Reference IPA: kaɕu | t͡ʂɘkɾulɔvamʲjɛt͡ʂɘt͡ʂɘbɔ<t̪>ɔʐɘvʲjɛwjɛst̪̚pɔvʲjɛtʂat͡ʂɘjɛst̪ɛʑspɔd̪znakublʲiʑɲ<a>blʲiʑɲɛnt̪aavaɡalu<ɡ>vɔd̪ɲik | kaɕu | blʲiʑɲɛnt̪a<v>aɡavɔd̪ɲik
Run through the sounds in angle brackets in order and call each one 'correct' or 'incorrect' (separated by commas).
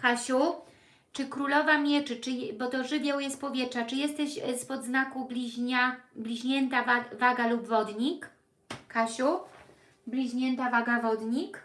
correct, correct, incorrect, correct